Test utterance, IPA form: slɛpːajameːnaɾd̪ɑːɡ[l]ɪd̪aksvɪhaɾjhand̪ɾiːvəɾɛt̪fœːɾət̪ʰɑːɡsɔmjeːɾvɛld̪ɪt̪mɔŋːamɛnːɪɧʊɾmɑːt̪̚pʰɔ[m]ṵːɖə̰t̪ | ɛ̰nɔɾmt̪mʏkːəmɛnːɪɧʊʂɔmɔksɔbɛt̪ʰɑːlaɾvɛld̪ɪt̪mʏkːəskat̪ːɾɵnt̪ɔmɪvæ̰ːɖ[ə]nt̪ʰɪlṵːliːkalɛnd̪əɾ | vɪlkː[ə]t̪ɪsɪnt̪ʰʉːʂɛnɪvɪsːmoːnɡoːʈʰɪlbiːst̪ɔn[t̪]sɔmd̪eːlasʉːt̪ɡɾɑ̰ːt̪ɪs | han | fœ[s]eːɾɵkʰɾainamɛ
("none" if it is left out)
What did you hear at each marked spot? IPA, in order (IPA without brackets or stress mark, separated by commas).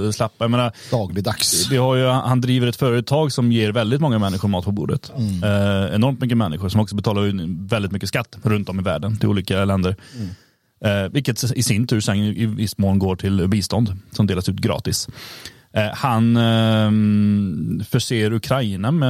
l, b, ə, ə, d̪, ʂ